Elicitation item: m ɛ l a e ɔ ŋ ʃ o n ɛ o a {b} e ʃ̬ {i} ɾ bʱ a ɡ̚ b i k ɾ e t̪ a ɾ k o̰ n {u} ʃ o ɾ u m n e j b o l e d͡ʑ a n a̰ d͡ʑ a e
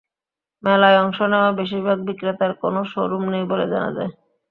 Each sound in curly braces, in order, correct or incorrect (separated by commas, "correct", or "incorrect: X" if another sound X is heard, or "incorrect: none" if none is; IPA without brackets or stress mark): correct, correct, incorrect: o